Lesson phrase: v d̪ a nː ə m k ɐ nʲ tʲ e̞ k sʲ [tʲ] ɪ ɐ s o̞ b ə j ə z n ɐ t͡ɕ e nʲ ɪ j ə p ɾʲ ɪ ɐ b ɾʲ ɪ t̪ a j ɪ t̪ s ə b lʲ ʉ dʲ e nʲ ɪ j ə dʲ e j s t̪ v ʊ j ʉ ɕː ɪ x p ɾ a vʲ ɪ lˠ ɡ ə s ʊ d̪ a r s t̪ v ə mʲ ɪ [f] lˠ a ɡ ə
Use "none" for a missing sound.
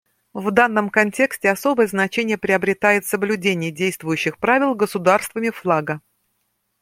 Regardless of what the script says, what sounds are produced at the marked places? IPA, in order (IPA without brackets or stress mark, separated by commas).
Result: tʲ, f